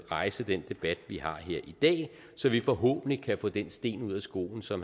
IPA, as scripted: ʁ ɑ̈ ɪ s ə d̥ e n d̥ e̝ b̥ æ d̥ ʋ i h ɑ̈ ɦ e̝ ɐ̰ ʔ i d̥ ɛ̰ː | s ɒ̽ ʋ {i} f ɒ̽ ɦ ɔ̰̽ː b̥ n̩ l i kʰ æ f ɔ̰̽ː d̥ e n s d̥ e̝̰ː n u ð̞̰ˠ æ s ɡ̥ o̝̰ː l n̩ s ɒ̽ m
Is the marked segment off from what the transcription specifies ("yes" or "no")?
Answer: no